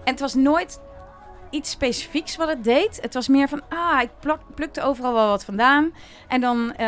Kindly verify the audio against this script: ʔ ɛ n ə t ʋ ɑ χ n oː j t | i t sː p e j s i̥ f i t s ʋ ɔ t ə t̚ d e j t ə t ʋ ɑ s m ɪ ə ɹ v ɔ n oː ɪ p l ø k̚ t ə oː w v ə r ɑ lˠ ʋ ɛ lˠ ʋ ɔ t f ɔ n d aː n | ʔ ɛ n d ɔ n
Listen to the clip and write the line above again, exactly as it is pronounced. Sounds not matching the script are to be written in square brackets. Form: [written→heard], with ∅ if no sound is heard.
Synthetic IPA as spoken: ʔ ɛ n ə t ʋ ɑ [χ→s] n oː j t | i t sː p e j s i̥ f i [t→k] s ʋ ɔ t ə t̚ d e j t ə t ʋ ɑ s m ɪ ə ɹ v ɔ n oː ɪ p l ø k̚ t ə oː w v ə r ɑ lˠ ʋ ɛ lˠ ʋ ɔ t f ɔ n d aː n | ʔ ɛ n d ɔ n